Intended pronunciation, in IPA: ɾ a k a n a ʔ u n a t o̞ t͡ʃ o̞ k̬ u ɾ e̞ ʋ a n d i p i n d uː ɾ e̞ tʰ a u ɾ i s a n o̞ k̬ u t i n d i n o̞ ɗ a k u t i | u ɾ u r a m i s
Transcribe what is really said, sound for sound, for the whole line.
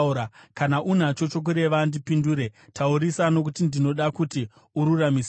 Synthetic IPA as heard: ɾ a k a n a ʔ u n a t͡ʃ o̞ t͡ʃ o̞ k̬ u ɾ e̞ ʋ a n d i p i n d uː ɾ e̞ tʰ a u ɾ i s a n o̞ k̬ u t i n d i n o̞ ɗ a k u t i | u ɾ u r a m i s